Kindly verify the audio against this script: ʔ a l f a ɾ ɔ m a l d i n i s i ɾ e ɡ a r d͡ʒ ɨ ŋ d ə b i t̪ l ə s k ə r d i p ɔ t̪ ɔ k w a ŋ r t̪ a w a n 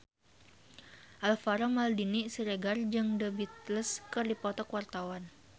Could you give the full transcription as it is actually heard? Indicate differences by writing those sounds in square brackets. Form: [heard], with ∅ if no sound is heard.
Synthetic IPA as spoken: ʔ a l f a ɾ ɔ m a l d i n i s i ɾ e ɡ a r d͡ʒ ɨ ŋ d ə b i t̪ l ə s k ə r d i p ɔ t̪ ɔ k w a [∅] r t̪ a w a n

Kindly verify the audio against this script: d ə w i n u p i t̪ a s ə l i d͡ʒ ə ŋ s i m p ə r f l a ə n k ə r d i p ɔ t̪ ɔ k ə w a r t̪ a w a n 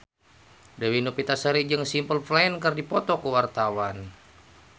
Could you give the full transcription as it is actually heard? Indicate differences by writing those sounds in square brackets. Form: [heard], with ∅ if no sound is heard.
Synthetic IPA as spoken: d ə w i n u p i t̪ a s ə [ɾ] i d͡ʒ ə ŋ s i m p ə [l] f l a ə n k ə r d i p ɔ t̪ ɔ k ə w a r t̪ a w a n

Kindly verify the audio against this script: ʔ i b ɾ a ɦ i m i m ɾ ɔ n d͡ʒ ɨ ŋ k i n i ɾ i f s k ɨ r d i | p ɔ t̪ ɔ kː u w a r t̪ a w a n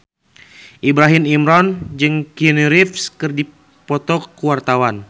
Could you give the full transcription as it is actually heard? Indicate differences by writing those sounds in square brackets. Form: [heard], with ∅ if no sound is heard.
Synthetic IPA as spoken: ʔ i b ɾ a ɦ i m i m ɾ ɔ n d͡ʒ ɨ ŋ k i n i ɾ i f s k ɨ r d i | p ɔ t̪ ɔ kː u w a r t̪ a w a n

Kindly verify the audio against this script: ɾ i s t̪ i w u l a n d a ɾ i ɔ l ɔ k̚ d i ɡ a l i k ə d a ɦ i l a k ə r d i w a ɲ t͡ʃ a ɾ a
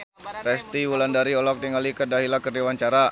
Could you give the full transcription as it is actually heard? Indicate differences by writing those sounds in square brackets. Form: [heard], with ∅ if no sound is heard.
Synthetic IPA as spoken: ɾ [ɛ] s t̪ i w u l a n d a ɾ i ɔ l ɔ k̚ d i [ŋ] a l i k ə d a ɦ i l a k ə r d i w a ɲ t͡ʃ a ɾ a

